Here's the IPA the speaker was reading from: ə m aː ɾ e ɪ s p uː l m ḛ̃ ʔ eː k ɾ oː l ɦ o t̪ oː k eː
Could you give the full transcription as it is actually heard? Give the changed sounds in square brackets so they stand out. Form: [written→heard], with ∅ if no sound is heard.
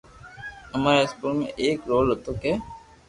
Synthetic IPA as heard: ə m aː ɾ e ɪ s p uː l m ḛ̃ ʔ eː k ɾ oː l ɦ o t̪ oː k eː

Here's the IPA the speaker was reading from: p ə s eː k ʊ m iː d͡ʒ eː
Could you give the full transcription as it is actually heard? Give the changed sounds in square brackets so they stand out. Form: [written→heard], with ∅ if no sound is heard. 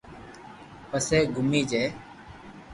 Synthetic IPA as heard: p ə s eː [k→ɡ] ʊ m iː d͡ʒ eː

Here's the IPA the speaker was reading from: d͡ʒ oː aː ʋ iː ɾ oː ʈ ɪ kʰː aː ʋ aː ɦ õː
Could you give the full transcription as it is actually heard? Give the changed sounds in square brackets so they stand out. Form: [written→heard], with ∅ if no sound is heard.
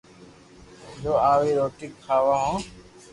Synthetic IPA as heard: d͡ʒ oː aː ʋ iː ɾ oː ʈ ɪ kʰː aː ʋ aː ɦ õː

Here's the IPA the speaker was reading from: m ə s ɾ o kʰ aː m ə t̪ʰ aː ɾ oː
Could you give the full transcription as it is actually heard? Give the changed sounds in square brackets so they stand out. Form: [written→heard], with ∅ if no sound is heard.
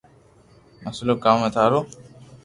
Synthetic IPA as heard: m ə s [ɾ→l] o [kʰ→k] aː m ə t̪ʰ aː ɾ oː

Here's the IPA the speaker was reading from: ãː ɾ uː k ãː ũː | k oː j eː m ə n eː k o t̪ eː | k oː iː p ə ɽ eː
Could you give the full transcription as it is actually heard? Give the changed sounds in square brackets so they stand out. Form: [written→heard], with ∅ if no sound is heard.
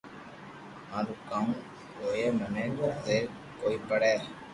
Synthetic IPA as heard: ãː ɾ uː k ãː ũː | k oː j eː m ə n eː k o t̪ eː | k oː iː p ə ɽ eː

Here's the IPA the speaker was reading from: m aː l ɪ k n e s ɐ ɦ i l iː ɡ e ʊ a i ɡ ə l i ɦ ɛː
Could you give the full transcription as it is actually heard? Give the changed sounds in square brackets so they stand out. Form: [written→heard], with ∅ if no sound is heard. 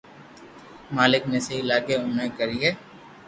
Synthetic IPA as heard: m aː l ɪ k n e s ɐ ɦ i l [iː→aː] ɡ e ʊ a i [ɡ→k] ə [l→ɾ] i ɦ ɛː

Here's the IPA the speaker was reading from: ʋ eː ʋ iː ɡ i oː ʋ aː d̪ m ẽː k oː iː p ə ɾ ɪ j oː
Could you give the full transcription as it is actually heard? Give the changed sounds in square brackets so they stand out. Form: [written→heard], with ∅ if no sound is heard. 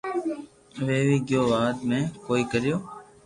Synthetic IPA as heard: ʋ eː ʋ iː ɡ [i→j] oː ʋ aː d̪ m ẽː k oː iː [p→k] ə ɾ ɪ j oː

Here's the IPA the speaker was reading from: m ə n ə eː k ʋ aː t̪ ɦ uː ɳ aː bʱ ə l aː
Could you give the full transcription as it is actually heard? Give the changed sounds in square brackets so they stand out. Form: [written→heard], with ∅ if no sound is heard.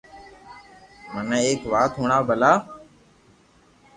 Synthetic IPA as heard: m ə n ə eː k ʋ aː t̪ ɦ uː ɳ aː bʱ ə l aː

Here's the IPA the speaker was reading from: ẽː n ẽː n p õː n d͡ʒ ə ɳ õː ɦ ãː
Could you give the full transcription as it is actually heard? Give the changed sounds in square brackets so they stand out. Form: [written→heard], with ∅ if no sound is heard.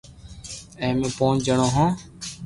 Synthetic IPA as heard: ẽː [n→m] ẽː [n→∅] p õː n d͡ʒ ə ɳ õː ɦ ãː

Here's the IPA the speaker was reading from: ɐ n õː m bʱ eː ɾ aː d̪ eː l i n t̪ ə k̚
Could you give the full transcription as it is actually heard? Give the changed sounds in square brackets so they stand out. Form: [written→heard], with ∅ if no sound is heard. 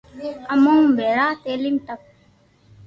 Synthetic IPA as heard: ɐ [n→m] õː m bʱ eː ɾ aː [d̪→t̪] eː l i [n→m] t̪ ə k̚

